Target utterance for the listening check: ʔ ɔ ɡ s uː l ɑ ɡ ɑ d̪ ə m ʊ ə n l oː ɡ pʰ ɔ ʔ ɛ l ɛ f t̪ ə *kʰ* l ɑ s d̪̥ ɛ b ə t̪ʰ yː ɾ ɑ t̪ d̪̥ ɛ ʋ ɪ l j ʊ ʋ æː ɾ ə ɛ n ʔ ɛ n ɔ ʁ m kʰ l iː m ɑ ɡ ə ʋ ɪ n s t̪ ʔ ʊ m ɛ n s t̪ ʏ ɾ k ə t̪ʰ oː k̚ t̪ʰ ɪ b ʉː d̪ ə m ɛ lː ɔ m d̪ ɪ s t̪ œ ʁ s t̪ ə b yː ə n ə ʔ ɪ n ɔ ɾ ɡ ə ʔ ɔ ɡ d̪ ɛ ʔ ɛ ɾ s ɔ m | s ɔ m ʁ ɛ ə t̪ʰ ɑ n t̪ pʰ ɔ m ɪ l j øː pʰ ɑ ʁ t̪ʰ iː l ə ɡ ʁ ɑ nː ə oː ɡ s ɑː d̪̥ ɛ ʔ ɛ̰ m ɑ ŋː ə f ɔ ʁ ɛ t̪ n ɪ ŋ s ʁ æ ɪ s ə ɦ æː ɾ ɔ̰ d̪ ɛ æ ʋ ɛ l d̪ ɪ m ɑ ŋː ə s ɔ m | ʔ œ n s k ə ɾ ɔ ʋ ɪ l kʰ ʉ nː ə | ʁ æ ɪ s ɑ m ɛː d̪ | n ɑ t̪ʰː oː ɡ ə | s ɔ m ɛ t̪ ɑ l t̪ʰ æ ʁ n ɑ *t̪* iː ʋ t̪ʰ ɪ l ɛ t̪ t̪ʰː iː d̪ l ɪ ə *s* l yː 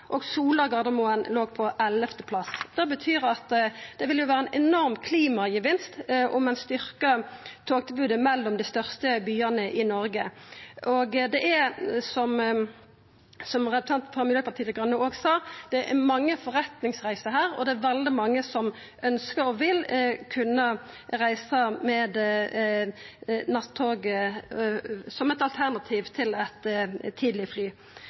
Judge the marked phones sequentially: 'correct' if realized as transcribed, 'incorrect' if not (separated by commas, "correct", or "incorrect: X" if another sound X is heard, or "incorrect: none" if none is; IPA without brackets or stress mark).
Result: incorrect: pʰ, incorrect: t̪ʰ, incorrect: f